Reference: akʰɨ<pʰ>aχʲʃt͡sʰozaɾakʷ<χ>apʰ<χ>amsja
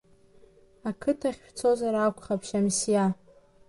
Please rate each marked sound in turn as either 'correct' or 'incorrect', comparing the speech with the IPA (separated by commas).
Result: incorrect, correct, incorrect